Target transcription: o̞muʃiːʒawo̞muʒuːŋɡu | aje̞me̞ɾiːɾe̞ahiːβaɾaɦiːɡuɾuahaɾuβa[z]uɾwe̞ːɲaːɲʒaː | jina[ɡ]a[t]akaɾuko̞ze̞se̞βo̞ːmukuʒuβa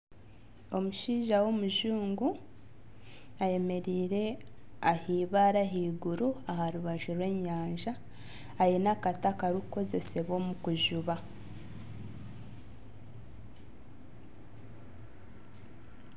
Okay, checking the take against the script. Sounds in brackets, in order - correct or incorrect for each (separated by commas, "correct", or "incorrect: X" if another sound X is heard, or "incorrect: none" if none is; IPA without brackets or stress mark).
incorrect: ʒ, incorrect: k, correct